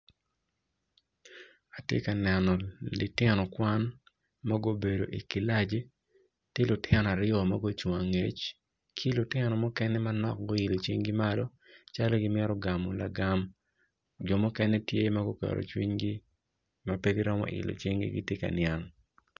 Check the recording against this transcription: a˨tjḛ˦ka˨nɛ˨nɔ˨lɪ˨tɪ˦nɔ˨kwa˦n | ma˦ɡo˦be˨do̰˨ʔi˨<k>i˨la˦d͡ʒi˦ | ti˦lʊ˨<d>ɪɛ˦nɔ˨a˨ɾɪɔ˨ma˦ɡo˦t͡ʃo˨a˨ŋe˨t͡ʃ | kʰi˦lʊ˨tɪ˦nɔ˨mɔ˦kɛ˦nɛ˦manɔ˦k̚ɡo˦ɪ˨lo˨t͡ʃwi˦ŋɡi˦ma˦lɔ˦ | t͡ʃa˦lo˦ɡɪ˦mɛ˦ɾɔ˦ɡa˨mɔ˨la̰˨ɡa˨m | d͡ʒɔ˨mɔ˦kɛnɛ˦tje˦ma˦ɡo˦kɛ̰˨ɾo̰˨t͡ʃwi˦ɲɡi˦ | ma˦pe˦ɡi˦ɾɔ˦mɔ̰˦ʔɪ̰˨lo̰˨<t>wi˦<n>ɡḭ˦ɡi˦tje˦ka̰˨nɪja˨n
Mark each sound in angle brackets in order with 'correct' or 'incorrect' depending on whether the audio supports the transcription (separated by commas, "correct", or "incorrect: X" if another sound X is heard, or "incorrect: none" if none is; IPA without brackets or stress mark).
correct, incorrect: t, incorrect: t͡ʃ, incorrect: ŋ